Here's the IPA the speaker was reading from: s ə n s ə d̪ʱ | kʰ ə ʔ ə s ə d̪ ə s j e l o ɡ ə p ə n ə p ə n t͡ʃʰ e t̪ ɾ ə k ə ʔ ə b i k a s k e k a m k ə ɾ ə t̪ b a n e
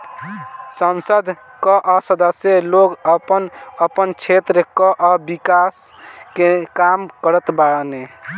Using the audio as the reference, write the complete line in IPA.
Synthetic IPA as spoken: s ə n s ə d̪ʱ | k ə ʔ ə s ə d̪ ə s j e l o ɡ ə p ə n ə p ə n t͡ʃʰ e t̪ ɾ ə k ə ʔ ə b i k a s k e k a m k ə ɾ ə t̪ b a n e